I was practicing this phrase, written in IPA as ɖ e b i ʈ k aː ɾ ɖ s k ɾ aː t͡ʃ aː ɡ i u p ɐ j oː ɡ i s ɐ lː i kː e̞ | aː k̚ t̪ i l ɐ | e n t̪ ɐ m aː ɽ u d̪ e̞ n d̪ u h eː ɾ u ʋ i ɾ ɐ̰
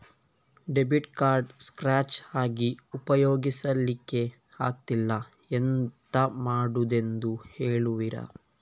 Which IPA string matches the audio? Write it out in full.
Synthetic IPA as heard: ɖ e b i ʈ k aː ɾ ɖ s k ɾ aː t͡ʃ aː ɡ i u p ɐ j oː ɡ i s ɐ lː i kː e̞ | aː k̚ t̪ i lː ɐ | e n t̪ ɐ m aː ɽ u d̪ e̞ n d̪ u h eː ɭ u ʋ i ɾ ɐ̰